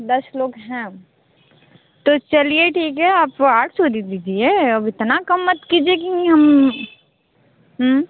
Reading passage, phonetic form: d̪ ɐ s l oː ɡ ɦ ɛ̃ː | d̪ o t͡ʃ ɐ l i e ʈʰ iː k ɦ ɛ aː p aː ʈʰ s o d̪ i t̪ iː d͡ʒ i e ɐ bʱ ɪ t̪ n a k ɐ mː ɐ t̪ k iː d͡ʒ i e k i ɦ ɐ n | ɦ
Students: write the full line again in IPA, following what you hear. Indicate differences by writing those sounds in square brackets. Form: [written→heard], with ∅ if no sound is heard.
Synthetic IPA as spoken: d̪ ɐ s l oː ɡ ɦ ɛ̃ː | [d̪→t̪] o t͡ʃ ɐ l i e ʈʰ iː k ɦ ɛ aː p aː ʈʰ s o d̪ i [t̪→d̪] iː d͡ʒ i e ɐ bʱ ɪ t̪ n a k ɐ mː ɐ t̪ k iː d͡ʒ i e k i ɦ ɐ [n→m] | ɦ